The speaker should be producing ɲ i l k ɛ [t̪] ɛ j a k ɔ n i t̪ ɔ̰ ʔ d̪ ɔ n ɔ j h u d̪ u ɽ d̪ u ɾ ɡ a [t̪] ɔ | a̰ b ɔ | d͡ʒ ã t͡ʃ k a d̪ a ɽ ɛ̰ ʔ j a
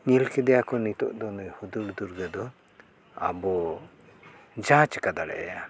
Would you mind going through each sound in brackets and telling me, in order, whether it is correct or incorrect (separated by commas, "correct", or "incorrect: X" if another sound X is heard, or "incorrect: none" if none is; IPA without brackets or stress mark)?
incorrect: d̪, incorrect: d̪